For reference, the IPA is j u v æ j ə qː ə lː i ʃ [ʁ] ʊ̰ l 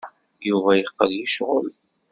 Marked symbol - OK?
yes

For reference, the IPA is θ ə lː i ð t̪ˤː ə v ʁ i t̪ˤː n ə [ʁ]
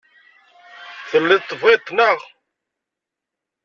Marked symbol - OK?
yes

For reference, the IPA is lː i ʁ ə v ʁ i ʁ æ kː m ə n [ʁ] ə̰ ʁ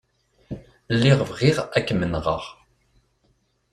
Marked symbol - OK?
yes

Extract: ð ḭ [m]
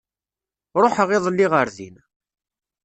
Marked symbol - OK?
no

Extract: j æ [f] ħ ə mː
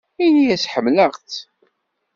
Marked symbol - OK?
no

